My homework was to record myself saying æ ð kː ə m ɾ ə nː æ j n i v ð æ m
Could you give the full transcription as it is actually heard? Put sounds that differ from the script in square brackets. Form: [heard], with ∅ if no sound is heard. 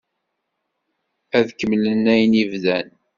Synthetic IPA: æ ð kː ə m [l] ə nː æ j n i v ð æ [n]